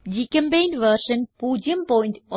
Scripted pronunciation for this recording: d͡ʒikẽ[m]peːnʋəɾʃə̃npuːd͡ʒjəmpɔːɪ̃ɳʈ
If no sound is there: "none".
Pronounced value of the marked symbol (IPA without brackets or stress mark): m